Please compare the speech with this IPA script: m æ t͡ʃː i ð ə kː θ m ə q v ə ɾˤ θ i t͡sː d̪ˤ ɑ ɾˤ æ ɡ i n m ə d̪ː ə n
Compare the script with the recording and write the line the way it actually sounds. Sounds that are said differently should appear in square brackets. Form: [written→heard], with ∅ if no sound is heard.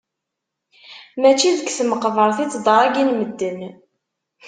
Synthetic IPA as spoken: m æ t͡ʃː i ð ə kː θ m ə q v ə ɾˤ θ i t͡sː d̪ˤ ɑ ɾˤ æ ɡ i n m ə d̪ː ə n